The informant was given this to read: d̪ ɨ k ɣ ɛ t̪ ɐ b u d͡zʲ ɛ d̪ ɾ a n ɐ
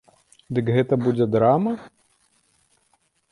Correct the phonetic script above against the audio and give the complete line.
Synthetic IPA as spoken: d̪ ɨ k ɣ ɛ t̪ ɐ b u d͡zʲ ɛ d̪ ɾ a m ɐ

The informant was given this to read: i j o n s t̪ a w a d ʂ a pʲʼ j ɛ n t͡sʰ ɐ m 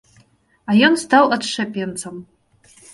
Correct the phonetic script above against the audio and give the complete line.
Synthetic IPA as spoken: a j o n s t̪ a w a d ʂ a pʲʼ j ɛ n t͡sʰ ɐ m

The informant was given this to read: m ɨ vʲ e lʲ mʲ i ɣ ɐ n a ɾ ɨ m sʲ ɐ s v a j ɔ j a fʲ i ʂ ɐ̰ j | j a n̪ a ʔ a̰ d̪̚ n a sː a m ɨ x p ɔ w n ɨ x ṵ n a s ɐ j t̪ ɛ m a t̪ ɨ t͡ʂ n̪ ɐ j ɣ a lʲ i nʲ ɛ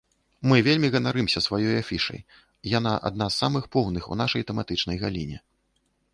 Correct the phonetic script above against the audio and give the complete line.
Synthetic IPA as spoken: m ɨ vʲ e lʲ mʲ i ɣ ɐ n a ɾ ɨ m sʲ ɐ s v a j ɔ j a fʲ i ʂ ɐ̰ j | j a n̪ a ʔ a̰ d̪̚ n a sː a m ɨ x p ɔ w n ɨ x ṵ n a ʂ ɐ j t̪ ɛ m a t̪ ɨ t͡ʂ n̪ ɐ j ɣ a lʲ i nʲ ɛ

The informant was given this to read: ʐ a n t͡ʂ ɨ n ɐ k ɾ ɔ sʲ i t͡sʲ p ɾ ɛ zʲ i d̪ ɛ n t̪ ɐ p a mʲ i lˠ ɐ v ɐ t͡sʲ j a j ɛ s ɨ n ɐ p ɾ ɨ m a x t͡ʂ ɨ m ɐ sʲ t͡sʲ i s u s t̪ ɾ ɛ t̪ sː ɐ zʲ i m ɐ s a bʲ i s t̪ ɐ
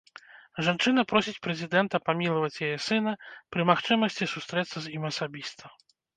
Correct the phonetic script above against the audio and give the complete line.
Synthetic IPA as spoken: ʐ a n t͡ʂ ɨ n ɐ p ɾ ɔ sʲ i t͡sʲ p ɾ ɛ zʲ i d̪ ɛ n t̪ ɐ p a mʲ i lˠ ɐ v ɐ t͡sʲ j a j ɛ s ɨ n ɐ p ɾ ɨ m a x t͡ʂ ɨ m ɐ sʲ t͡sʲ i s u s t̪ ɾ ɛ t̪ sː ɐ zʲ i m ɐ s a bʲ i s t̪ ɐ

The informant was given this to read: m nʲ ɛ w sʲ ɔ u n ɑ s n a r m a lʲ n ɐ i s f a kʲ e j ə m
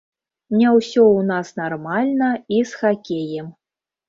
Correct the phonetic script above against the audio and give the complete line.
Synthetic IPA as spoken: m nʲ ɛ w sʲ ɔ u n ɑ s n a r m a lʲ n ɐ i s x a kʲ e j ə m

